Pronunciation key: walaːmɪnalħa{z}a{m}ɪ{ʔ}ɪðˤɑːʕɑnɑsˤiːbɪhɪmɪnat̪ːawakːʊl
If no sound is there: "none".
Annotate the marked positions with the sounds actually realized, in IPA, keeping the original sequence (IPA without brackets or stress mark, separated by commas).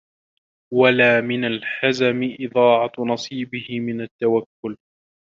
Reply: z, m, ʔ